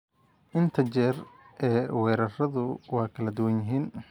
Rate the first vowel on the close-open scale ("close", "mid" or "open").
close